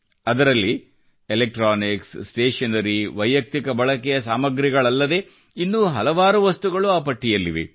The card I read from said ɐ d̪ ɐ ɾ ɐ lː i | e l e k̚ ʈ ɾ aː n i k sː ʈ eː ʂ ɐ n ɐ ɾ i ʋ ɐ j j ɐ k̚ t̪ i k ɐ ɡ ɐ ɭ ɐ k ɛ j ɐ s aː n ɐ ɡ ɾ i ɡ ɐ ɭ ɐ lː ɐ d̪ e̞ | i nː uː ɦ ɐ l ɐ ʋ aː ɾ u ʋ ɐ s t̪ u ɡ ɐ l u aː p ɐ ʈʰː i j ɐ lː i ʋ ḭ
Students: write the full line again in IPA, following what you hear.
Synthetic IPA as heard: ɐ d̪ ɐ ɾ ɐ lː i | e l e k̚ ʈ ɾ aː n i k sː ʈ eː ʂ ɐ n ɐ ɾ i ʋ ɐ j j ɐ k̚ t̪ i k ɐ b ɐ ɭ ɐ k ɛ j ɐ s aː m ɐ ɡ ɾ i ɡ ɐ ɭ ɐ lː ɐ d̪ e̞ | i nː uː ɦ ɐ l ɐ ʋ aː ɾ u ʋ ɐ s t̪ u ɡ ɐ ɭ u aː p ɐ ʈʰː i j ɐ lː i ʋ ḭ

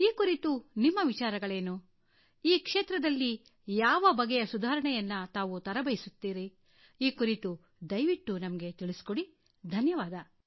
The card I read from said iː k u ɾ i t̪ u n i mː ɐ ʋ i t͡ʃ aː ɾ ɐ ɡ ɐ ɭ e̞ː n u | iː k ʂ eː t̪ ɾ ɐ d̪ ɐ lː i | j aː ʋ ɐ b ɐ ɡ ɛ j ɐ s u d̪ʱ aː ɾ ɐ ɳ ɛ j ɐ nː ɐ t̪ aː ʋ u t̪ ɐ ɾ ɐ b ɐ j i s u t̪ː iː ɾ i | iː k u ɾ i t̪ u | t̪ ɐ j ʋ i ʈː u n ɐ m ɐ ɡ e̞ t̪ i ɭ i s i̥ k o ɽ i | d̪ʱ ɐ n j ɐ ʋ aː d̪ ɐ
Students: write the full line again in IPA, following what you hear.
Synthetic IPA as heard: iː k u ɾ i t̪ u n i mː ɐ ʋ i t͡ʃ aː ɾ ɐ ɡ ɐ ɭ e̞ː n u | iː k ʂ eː t̪ ɾ ɐ d̪ ɐ lː i | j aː ʋ ɐ b ɐ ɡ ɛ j ɐ s u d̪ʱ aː ɾ ɐ ɳ ɛ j ɐ nː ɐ t̪ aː ʋ u t̪ ɐ ɾ ɐ b ɐ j i s u t̪ː iː ɾ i | iː k u ɾ i t̪ u | d̪ ɐ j ʋ i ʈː u n ɐ m ɐ ɡ e̞ t̪ i ɭ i s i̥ k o ɽ i | d̪ʱ ɐ n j ɐ ʋ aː d̪ ɐ

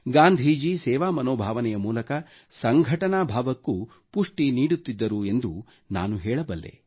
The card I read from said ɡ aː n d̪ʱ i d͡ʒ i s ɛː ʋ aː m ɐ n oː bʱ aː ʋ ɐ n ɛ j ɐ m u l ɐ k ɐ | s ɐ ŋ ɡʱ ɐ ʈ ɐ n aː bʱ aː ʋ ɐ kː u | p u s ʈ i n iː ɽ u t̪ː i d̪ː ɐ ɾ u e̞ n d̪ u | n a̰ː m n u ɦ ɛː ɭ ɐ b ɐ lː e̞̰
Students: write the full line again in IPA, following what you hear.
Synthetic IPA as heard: ɡ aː n d̪ʱ i d͡ʒ i s ɛː ʋ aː m ɐ n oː bʱ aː ʋ ɐ n ɛ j ɐ m uː l ɐ k ɐ | s ɐ ŋ ɡʱ ɐ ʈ ɐ n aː bʱ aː ʋ ɐ kː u | p u ʂ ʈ i n iː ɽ u t̪ː i d̪ː ɐ ɾ u e̞ n d̪ u | n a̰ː n u ɦ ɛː ɭ ɐ b ɐ lː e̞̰

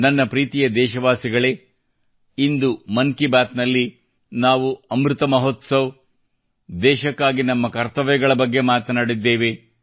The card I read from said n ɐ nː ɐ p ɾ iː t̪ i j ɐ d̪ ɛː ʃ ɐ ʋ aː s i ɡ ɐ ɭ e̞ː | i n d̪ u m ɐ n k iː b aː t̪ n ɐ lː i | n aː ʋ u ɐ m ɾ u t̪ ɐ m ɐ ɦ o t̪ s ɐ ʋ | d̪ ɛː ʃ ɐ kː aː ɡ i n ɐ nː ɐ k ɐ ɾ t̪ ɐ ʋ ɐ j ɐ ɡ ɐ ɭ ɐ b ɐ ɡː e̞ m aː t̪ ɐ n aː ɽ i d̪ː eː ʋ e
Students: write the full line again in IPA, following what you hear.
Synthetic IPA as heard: n ɐ nː ɐ p ɾ iː t̪ i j ɐ d̪ ɛː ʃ ɐ ʋ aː s i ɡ ɐ ɭ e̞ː | i n d̪ u m ɐ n k i b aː t̪ n ɐ lː i | n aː ʋ u ɐ m ɾ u t̪ ɐ m ɐ ɦ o t̪ s ɐ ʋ | d̪ ɛː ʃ ɐ kː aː ɡ i n ɐ mː ɐ k ɐ ɾ t̪ ɐ ʋ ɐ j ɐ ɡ ɐ ɭ ɐ b ɐ ɡː e̞ m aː t̪ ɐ n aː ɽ i d̪ː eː ʋ e

